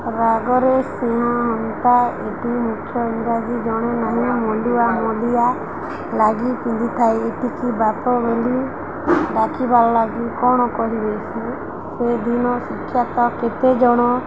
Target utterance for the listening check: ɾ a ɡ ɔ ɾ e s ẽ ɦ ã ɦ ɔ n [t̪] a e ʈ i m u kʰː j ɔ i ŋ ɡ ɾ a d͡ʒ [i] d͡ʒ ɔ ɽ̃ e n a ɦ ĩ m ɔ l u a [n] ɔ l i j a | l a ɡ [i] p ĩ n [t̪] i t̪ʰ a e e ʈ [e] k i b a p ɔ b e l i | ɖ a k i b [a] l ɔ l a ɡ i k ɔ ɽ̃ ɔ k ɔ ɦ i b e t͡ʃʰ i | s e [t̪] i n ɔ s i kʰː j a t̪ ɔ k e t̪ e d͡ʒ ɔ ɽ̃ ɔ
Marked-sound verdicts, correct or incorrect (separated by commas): correct, correct, incorrect, correct, incorrect, incorrect, correct, incorrect